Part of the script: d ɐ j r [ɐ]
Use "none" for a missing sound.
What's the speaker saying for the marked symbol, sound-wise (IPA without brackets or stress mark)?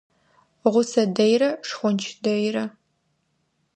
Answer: ɐ